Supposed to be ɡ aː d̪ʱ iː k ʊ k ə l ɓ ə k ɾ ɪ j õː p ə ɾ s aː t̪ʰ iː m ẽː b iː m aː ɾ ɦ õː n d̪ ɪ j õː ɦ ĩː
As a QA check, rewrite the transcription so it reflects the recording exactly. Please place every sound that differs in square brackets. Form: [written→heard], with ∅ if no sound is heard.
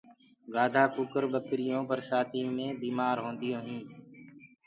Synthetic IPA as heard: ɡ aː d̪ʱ [iː→aː] k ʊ k ə [l→ɾ] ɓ ə k ɾ ɪ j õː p ə ɾ s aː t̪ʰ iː m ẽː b iː m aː ɾ ɦ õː n d̪ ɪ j õː ɦ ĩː